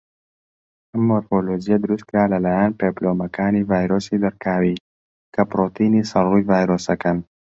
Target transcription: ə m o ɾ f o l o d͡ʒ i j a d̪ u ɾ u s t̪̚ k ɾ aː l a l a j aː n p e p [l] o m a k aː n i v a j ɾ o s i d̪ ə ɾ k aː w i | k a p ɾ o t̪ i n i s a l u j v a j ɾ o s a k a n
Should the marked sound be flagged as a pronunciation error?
no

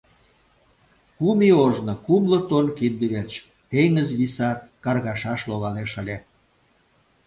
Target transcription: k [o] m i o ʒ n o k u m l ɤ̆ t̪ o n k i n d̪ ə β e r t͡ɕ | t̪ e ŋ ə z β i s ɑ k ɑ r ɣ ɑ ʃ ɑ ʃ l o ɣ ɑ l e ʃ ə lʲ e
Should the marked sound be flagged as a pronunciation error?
yes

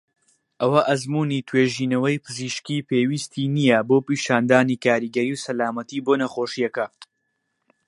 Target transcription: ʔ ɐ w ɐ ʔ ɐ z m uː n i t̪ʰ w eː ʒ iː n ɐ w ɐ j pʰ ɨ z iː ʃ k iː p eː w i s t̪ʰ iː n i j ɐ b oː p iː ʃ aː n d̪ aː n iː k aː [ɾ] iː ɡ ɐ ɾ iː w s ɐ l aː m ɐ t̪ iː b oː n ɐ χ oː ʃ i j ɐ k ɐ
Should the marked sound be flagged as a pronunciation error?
no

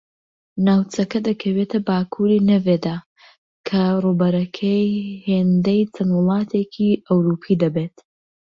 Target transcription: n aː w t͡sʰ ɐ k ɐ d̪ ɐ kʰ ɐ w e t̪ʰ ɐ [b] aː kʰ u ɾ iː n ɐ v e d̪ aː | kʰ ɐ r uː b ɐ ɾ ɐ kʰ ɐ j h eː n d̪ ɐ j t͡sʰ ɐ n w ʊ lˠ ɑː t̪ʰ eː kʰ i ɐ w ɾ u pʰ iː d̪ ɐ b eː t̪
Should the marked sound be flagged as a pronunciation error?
no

